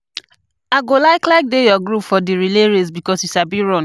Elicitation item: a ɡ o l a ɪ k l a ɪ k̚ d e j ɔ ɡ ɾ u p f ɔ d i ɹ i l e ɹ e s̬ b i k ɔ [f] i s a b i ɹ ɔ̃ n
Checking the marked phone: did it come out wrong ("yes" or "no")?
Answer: yes